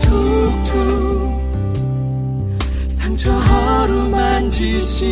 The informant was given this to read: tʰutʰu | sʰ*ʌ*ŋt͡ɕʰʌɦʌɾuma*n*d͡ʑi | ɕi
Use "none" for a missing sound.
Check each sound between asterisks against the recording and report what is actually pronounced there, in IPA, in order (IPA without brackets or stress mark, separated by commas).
a, n